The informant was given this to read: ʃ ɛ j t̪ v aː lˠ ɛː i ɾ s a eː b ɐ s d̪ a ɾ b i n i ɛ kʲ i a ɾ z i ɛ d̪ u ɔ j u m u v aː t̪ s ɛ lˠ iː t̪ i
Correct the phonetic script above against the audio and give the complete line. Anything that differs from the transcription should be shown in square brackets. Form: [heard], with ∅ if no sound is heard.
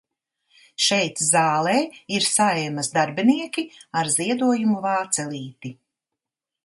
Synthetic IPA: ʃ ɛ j t̪ [z] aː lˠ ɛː i ɾ s a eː [m] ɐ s d̪ a ɾ b i n i ɛ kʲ i a ɾ z i ɛ d̪ u ɔ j u m u v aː t̪ s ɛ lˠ iː t̪ i